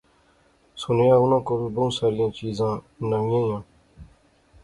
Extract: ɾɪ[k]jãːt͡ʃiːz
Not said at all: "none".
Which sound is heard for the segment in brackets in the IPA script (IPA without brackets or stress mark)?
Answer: none